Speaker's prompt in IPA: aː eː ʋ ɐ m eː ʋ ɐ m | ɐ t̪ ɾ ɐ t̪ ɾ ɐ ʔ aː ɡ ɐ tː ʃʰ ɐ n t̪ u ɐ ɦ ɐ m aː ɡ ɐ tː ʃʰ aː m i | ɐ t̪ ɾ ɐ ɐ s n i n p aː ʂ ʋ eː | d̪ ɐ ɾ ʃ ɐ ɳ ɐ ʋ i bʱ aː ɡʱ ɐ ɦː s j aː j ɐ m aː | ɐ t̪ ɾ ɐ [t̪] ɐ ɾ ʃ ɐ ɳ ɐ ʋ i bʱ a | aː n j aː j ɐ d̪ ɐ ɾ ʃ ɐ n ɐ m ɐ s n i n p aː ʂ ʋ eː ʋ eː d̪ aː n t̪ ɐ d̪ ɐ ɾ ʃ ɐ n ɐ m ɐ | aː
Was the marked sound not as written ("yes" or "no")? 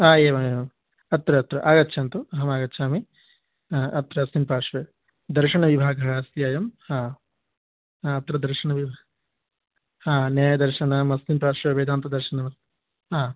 yes